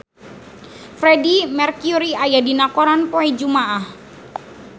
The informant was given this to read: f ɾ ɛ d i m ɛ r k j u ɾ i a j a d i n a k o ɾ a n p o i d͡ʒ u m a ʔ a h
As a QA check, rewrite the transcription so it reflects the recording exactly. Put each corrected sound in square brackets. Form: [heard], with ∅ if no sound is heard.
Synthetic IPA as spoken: f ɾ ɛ d i m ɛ r k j u ɾ i a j a d i n a k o ɾ a n p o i d͡ʒ u m a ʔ a h